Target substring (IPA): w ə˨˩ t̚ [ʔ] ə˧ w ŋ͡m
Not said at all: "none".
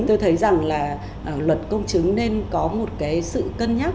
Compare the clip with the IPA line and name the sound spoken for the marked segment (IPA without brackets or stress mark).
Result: k